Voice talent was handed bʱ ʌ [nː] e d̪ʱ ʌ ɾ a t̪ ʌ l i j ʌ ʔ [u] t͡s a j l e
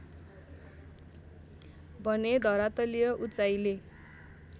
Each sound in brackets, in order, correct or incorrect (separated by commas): incorrect, correct